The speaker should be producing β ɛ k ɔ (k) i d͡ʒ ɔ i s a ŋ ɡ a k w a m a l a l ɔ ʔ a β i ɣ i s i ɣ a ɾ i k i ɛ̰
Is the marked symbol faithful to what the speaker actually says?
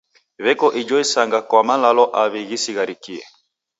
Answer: no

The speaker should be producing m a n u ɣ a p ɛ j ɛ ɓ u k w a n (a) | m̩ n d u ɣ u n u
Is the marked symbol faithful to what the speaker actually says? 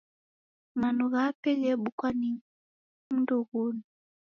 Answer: no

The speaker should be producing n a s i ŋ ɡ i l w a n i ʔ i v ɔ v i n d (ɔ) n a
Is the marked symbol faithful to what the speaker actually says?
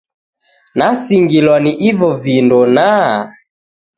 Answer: yes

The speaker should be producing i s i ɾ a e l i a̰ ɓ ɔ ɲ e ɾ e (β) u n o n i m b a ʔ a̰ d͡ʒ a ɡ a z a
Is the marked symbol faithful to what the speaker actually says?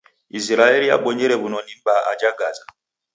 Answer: yes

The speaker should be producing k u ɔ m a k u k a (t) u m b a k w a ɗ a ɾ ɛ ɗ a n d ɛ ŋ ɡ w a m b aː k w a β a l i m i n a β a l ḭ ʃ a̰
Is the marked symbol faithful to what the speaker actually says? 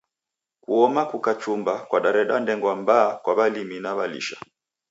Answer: no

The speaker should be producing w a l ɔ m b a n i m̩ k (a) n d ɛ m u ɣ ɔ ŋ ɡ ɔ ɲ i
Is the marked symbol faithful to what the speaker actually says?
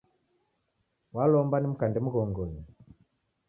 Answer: yes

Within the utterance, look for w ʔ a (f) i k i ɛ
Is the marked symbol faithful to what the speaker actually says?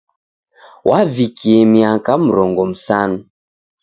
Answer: no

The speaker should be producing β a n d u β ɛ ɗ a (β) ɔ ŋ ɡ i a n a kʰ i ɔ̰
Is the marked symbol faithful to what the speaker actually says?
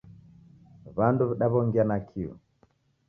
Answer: yes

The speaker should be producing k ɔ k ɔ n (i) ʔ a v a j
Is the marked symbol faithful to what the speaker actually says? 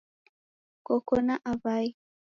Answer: no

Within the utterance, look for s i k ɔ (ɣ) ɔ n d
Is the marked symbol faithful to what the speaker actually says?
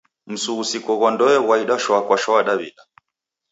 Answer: yes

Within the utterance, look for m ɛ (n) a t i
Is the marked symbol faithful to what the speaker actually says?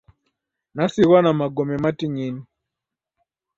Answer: no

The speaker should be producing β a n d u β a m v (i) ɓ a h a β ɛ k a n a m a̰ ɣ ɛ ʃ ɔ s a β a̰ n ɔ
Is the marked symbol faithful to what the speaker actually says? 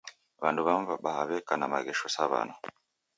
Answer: no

